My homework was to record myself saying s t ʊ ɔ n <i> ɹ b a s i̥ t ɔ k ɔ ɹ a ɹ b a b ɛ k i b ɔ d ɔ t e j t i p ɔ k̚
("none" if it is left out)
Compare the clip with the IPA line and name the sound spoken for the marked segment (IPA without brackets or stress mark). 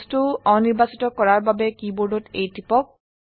i